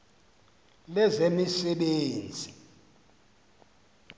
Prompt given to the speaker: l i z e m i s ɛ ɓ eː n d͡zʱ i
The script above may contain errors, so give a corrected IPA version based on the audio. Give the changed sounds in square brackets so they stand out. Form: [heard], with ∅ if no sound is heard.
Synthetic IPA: l [ɛ] z e m i s ɛ ɓ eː n d͡zʱ i